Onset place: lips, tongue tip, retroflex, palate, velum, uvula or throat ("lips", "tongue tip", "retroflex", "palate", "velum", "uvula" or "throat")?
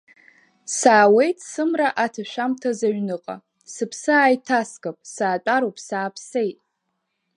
tongue tip